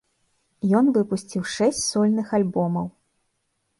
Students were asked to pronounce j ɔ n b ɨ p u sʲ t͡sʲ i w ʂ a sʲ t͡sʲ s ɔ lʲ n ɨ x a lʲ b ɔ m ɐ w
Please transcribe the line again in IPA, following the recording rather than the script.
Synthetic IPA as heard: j ɔ n v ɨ p u sʲ t͡sʲ i w ʂ ɛ sʲ t͡sʲ s ɔ lʲ n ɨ x a lʲ b ɔ m ɐ w